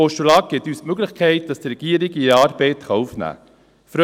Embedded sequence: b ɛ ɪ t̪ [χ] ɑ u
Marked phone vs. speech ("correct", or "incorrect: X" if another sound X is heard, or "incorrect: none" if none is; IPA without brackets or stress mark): correct